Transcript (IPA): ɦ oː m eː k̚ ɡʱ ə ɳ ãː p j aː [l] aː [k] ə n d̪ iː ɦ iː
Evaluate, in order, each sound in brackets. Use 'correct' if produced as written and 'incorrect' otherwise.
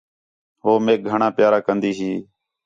incorrect: ɾ, correct

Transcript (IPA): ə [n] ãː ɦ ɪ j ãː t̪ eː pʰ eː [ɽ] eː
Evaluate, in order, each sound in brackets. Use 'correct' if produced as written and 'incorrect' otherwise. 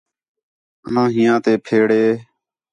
correct, correct

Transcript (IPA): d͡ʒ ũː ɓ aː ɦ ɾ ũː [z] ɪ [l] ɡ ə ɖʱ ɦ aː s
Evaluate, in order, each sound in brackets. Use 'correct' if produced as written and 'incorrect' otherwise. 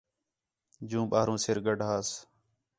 incorrect: s, incorrect: ɾ

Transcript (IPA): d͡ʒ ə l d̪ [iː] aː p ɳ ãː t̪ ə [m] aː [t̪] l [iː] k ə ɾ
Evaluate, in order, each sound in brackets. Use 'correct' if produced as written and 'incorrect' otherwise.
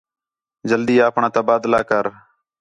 correct, incorrect: b, incorrect: d̪, incorrect: aː

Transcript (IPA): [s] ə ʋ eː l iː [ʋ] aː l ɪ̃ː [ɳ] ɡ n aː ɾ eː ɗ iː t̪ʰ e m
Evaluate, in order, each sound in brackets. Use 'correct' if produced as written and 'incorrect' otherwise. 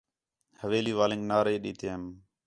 incorrect: h, correct, incorrect: ŋ

